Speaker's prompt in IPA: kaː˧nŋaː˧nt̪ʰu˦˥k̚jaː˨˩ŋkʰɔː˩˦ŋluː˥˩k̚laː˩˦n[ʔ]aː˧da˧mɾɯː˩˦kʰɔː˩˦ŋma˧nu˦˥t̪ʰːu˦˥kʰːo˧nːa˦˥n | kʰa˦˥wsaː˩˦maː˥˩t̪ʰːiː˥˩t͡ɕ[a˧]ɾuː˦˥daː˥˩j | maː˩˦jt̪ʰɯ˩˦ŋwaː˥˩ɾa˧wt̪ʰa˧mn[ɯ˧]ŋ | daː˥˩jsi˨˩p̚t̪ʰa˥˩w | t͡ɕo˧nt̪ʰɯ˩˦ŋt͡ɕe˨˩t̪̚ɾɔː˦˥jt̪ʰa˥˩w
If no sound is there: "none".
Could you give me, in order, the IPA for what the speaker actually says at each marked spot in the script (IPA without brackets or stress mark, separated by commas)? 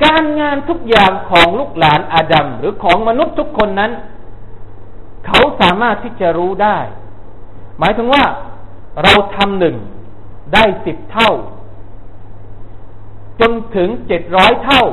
ʔ, a˨˩, ɯ˨˩